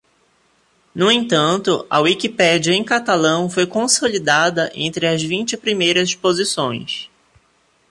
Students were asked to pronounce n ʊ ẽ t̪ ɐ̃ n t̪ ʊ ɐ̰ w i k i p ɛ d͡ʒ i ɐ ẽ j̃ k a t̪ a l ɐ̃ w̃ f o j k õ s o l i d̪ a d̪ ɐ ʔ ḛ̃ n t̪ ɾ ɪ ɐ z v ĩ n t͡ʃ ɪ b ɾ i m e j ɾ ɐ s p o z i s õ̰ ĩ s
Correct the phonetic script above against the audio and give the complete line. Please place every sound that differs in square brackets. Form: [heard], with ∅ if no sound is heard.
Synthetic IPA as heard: n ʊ ẽ t̪ ɐ̃ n t̪ ʊ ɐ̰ w i k i p ɛ d͡ʒ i ɐ ẽ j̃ k a t̪ a l ɐ̃ w̃ f o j k õ s o l i d̪ a d̪ ɐ ʔ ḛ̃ n t̪ ɾ ɪ ɐ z v ĩ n t͡ʃ ɪ [p] ɾ i m e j ɾ ɐ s p o z i s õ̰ [j̃] s